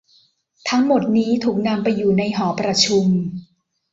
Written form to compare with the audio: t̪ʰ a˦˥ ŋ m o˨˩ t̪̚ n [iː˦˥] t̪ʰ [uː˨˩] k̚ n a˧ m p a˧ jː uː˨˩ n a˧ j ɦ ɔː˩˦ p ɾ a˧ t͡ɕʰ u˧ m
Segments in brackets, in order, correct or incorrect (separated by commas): correct, correct